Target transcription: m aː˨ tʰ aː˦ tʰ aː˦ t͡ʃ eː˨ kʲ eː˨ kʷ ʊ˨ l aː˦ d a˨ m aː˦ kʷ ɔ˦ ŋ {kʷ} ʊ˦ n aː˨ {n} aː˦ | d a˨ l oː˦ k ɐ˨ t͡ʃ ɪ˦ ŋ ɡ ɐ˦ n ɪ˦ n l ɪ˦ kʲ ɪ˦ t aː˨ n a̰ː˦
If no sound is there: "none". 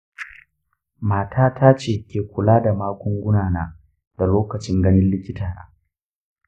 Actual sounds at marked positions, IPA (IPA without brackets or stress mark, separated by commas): ɡʷ, n